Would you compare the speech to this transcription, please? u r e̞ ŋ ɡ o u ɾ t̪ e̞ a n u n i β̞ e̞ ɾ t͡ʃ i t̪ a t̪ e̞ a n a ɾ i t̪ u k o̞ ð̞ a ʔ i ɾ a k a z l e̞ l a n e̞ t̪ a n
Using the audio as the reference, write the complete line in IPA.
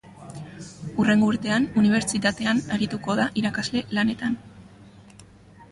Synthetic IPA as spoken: u r e̞ ŋ ɡ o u ɾ t̪ e̞ a n u n i β̞ e̞ ɾ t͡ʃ i t̪ a t̪ e̞ a n a ɾ i t̪ u k o̞ ð̞ a ʔ i ɾ a k a z l e̞ l a n e̞ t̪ a n